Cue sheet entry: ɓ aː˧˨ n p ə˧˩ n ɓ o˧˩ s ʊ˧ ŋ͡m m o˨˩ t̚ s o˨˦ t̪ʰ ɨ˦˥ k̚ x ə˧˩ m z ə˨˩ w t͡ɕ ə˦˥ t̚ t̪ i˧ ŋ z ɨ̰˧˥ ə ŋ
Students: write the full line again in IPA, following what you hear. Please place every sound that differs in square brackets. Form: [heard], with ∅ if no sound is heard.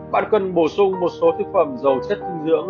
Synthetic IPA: ɓ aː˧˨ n [k] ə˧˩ n ɓ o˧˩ s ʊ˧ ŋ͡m m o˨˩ t̚ s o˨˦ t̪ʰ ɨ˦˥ k̚ [f] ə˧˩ m z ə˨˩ w t͡ɕ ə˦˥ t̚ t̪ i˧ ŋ z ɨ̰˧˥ ə ŋ

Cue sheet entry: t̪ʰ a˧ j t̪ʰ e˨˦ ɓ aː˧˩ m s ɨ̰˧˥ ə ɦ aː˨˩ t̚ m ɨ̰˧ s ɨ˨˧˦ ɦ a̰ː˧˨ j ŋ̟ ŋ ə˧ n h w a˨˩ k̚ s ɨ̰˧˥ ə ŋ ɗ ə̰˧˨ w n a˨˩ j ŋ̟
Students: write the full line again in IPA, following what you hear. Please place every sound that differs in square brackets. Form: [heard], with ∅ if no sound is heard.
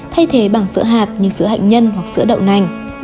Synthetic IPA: t̪ʰ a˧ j t̪ʰ e˨˦ ɓ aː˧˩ [ŋ] s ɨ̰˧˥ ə ɦ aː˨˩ t̚ [ɲ] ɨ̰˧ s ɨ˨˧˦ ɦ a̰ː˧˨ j ŋ̟ [ɲ] ə˧ n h w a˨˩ k̚ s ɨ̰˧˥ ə [∅] ɗ ə̰˧˨ w n a˨˩ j ŋ̟

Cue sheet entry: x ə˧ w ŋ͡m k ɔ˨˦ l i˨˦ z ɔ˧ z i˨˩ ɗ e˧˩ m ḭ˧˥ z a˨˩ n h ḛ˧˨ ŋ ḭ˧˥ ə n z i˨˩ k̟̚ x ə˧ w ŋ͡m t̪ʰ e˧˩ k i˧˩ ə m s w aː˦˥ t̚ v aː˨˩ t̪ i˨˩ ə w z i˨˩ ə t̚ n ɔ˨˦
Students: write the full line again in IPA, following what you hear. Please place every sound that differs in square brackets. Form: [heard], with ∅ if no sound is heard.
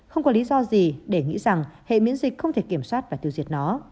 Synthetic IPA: x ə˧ w ŋ͡m k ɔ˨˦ l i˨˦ z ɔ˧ z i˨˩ ɗ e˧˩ [ŋ] ḭ˧˥ z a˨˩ [ŋ] h ḛ˧˨ [m] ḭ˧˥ ə n z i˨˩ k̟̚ x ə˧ w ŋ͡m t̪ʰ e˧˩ k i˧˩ ə m s w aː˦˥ t̚ v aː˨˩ t̪ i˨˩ ə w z i˨˩ ə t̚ n ɔ˨˦

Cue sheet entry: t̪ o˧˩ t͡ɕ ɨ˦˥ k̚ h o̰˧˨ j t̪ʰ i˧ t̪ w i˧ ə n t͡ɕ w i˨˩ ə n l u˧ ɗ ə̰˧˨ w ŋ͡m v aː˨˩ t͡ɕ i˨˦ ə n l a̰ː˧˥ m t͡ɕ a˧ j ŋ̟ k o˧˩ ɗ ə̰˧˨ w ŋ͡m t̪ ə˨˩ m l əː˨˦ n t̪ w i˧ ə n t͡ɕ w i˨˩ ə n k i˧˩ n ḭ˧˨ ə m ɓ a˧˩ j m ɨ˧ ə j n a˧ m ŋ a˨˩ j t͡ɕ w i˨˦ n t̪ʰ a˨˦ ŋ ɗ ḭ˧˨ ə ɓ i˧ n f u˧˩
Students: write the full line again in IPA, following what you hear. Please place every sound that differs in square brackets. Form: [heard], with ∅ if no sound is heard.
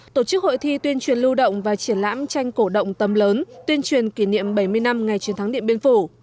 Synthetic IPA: t̪ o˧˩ t͡ɕ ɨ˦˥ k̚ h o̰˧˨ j t̪ʰ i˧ t̪ w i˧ ə n t͡ɕ w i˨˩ ə n l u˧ ɗ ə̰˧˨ w ŋ͡m v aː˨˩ t͡ɕ [i˧˩] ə n l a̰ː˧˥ m t͡ɕ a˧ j ŋ̟ k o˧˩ ɗ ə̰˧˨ w ŋ͡m t̪ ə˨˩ m l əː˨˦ n t̪ w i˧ ə n t͡ɕ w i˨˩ ə n k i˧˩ n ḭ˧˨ ə m ɓ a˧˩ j m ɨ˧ ə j n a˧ m ŋ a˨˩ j t͡ɕ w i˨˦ n t̪ʰ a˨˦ ŋ ɗ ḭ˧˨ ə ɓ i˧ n f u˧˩

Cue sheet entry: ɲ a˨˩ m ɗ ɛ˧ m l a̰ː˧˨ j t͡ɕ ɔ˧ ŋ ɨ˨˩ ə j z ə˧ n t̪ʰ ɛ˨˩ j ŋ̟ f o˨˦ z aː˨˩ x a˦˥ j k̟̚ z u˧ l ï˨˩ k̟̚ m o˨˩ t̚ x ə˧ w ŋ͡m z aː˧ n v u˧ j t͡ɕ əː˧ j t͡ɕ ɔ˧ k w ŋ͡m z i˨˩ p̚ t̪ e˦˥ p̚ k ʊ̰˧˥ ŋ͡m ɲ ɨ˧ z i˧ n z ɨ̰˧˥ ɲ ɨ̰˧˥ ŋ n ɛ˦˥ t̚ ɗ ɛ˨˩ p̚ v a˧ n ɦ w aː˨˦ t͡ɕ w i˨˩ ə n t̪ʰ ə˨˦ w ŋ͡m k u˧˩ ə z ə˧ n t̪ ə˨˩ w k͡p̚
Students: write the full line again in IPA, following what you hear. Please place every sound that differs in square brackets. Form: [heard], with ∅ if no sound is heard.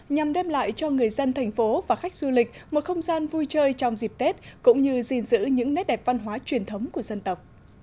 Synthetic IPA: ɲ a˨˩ m ɗ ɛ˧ m l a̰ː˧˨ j t͡ɕ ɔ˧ ŋ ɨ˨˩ ə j z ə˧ n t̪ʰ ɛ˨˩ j ŋ̟ f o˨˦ [v] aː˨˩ x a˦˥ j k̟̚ z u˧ l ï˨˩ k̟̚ m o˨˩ t̚ x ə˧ w ŋ͡m z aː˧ n v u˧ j t͡ɕ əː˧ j t͡ɕ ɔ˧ [∅] w ŋ͡m z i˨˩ p̚ t̪ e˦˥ [t̚] k ʊ̰˧˥ ŋ͡m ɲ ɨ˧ z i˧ n z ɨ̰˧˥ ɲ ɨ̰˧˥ ŋ n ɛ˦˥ t̚ ɗ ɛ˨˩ p̚ v a˧ n ɦ w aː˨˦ t͡ɕ w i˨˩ ə n t̪ʰ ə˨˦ w ŋ͡m k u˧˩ ə z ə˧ n t̪ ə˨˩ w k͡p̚

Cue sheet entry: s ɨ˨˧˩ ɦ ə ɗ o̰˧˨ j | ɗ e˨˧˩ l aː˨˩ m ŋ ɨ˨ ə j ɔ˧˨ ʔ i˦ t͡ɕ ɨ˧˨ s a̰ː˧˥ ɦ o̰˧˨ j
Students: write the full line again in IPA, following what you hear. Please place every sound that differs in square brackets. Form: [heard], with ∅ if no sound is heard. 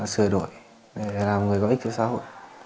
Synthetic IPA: s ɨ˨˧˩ [∅] ə ɗ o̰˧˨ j | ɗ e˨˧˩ l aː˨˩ m ŋ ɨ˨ ə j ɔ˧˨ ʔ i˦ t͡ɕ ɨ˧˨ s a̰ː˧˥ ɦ o̰˧˨ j

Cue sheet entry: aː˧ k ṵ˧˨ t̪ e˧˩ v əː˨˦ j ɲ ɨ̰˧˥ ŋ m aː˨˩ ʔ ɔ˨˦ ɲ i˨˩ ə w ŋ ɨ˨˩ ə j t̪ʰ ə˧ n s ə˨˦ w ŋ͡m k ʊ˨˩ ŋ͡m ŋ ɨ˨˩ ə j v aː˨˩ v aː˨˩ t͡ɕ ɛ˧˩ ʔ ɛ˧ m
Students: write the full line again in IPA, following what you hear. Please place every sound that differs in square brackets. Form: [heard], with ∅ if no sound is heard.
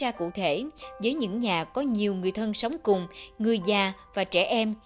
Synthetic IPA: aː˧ k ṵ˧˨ [t̪ʰ] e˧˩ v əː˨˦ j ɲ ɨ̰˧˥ ŋ [ɲ] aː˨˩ [k] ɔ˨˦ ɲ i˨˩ ə w ŋ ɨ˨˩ ə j t̪ʰ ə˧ n s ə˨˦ w ŋ͡m k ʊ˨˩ ŋ͡m ŋ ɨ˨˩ ə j [z] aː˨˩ v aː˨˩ t͡ɕ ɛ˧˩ ʔ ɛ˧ m

